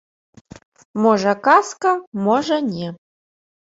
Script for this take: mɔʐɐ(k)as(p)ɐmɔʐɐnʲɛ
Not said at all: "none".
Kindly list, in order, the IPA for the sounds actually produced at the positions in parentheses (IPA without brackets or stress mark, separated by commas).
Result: k, k